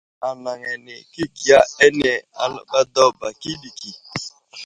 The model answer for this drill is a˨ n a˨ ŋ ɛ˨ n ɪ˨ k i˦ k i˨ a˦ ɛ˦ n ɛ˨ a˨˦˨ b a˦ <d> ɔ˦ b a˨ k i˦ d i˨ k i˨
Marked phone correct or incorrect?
correct